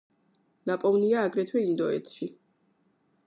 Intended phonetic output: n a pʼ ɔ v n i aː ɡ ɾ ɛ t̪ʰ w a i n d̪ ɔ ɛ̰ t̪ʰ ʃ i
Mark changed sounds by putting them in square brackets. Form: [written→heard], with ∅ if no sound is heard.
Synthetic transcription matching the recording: n a pʼ ɔ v n i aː ɡ ɾ ɛ t̪ʰ w [a→ɛ] i n d̪ ɔ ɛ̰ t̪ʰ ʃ i